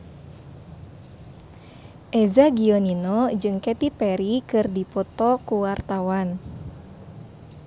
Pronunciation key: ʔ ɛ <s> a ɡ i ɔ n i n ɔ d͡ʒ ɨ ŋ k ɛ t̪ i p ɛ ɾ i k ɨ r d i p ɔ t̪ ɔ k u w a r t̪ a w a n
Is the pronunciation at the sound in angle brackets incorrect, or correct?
incorrect